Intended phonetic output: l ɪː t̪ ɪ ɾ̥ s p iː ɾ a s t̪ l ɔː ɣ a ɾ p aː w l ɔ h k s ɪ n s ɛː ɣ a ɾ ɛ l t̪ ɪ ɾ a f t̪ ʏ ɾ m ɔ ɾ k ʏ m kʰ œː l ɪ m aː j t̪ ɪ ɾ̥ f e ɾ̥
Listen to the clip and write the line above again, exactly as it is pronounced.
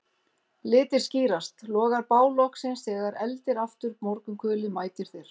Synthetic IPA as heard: l ɪː t̪ ɪ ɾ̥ s c iː ɾ a s t̪ l ɔː ɣ a ɾ p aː w l ɔ h k s ɪ n s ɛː ɣ a ɾ ɛ l t̪ ɪ ɾ a f t̪ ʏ ɾ m ɔ ɾ k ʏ m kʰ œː l ɪ m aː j t̪ ɪ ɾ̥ θ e ɾ̥